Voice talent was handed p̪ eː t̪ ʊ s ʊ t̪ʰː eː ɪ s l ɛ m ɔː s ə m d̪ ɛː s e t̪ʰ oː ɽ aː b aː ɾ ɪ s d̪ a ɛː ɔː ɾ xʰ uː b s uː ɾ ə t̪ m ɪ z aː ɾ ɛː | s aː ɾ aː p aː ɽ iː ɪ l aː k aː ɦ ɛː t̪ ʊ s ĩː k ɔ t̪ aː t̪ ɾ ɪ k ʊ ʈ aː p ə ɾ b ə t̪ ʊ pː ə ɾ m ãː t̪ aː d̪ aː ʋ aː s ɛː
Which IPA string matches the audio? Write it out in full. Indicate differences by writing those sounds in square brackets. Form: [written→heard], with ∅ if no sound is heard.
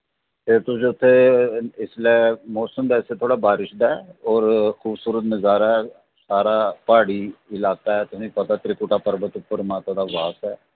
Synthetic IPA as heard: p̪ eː t̪ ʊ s ʊ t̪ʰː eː ɪ s l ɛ m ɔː s ə m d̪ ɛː s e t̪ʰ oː ɽ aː b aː ɾ ɪ [s→ʃ] d̪ a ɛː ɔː ɾ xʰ uː b s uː ɾ ə t̪ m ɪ z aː ɾ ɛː | s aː ɾ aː p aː ɽ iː ɪ l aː k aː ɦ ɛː t̪ ʊ s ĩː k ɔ t̪ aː t̪ ɾ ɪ k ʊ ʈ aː p ə ɾ b ə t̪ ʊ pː ə ɾ m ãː t̪ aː d̪ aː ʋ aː s ɛː